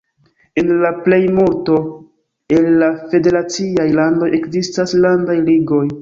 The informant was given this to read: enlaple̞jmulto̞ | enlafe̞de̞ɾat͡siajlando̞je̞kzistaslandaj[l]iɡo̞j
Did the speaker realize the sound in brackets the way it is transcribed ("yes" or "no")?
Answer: yes